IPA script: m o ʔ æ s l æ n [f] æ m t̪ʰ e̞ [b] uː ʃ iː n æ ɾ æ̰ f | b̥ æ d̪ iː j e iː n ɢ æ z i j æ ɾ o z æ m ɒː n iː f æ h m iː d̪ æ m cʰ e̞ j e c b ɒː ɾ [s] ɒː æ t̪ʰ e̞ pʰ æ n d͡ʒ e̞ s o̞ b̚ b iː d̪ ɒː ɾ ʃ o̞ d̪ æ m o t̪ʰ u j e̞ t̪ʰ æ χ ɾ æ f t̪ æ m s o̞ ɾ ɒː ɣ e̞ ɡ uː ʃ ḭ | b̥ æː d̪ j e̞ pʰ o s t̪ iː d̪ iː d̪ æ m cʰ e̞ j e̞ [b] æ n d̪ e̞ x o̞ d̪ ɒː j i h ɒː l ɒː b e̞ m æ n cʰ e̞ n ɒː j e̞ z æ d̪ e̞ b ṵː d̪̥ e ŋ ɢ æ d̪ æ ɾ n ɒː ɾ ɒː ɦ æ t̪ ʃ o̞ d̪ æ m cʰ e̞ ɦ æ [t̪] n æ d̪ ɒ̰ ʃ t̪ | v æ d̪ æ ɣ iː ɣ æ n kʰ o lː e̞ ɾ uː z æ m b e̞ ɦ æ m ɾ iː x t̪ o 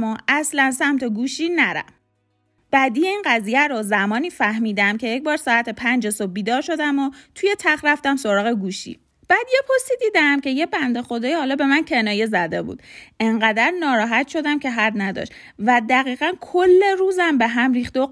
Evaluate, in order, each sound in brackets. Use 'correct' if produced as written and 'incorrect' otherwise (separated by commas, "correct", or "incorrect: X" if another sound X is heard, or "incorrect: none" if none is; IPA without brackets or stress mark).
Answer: incorrect: s, incorrect: ɡ, correct, correct, incorrect: d̪